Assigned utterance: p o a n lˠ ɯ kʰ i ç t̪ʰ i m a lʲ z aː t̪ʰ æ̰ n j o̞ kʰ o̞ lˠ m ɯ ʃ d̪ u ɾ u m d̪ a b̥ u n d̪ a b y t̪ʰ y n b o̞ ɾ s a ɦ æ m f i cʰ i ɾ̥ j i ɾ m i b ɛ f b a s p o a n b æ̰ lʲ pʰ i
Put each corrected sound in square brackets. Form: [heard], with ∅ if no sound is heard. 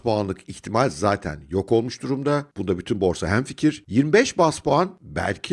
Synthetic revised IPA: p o a n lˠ ɯ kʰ i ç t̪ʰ i m a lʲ z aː t̪ʰ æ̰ n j o̞ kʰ o̞ lˠ m [u] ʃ d̪ u ɾ u m d̪ a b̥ u n d̪ a b y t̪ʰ y n b o̞ ɾ s a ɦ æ m f i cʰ i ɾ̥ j i ɾ m i b ɛ [ʃ] b a s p o a n b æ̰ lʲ [cʰ] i